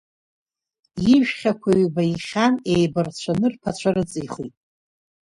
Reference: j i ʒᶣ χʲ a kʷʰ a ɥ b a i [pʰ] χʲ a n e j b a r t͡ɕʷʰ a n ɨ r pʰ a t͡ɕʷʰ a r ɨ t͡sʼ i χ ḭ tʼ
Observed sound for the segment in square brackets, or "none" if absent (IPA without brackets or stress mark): none